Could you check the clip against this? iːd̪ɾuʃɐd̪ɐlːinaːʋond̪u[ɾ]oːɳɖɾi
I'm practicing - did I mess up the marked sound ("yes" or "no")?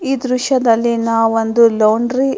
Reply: yes